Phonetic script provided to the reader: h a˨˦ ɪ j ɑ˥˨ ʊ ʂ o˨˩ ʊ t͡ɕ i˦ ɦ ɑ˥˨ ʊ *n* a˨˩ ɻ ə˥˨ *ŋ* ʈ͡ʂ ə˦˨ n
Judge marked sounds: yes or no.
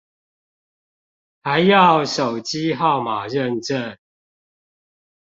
no, no

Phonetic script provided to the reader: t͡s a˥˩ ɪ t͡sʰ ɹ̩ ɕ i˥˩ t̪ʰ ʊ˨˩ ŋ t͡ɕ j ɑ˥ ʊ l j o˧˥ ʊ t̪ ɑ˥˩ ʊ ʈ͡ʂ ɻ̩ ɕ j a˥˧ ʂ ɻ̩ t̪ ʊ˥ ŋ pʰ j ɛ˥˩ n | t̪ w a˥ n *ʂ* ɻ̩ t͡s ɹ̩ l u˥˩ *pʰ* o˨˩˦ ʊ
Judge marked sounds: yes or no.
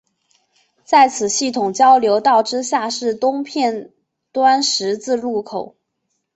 yes, no

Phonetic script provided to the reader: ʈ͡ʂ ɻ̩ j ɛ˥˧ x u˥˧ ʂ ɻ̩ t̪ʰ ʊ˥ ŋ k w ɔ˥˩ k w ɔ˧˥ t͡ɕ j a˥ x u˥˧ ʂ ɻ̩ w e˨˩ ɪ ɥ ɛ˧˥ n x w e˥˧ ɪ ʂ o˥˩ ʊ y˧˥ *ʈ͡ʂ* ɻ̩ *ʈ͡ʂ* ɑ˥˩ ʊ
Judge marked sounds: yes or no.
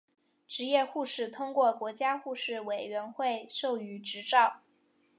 yes, yes

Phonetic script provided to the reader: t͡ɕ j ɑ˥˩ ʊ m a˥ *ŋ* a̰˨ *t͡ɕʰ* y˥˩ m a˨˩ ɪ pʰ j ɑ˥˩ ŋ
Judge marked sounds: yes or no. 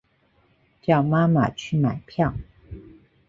no, yes

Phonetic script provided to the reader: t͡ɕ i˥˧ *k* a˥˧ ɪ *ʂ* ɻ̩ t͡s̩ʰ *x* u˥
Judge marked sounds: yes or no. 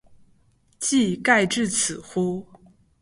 yes, no, yes

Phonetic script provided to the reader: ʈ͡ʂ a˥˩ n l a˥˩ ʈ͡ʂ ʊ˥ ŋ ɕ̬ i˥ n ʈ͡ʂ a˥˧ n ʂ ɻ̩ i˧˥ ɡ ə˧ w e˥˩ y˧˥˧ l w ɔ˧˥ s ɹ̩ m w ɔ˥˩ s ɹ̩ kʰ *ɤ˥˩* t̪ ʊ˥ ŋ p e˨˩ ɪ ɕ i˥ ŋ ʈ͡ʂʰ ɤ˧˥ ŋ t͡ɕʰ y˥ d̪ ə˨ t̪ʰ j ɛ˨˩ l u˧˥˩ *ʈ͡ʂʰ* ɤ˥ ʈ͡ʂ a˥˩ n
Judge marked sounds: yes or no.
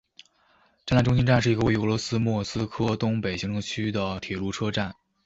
no, yes

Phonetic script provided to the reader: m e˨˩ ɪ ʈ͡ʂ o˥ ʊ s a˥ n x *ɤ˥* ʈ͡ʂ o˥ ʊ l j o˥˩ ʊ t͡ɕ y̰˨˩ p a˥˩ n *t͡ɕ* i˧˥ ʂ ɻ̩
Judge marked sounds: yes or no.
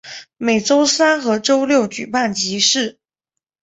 no, yes

